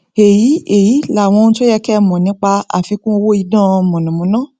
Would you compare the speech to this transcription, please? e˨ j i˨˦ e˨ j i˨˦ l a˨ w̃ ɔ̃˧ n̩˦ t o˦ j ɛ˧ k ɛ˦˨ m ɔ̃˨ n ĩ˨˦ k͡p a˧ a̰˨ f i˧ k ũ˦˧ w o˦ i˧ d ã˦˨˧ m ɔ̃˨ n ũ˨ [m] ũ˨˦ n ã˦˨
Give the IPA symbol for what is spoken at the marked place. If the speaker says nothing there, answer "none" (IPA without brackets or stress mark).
m